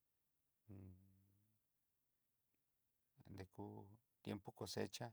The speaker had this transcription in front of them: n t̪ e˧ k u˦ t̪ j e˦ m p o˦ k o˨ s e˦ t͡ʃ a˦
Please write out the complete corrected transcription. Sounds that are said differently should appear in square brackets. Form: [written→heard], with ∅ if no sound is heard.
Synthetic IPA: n [t̪→d̪] e˧ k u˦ t̪ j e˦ m p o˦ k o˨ s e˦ t͡ʃ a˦